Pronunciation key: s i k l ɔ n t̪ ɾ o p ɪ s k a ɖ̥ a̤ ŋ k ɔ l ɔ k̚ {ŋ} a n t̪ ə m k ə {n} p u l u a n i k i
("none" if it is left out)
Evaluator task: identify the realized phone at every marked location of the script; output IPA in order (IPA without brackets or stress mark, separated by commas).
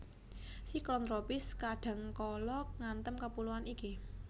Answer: ŋ, none